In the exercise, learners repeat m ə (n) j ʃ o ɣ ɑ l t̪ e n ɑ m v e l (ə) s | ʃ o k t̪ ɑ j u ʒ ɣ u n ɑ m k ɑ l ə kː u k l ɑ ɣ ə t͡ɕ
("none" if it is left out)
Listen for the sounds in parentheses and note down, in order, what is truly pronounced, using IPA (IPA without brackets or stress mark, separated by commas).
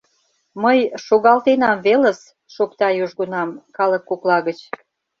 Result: none, ə